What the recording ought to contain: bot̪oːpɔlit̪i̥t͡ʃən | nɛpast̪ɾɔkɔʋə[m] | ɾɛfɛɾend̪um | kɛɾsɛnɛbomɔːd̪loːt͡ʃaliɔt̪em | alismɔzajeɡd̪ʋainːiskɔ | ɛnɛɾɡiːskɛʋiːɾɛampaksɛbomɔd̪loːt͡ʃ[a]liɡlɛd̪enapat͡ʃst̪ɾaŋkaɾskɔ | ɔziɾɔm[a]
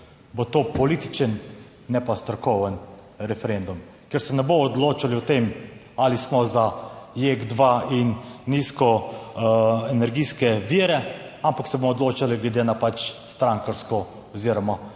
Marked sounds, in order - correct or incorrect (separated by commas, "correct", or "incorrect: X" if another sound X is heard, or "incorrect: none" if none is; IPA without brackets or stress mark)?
incorrect: n, correct, correct